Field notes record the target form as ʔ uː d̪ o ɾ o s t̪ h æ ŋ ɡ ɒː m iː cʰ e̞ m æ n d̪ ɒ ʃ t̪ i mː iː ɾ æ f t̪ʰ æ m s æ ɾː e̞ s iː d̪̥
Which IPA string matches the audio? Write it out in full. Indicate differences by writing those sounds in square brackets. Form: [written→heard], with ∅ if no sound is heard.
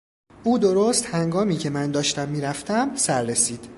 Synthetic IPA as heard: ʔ uː d̪ o ɾ o s t̪ h æ ŋ ɡ ɒː m iː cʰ e̞ m æ n d̪ [ɒ→ɒː] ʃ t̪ [i→æ] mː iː ɾ æ f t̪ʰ æ m s æ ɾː e̞ s iː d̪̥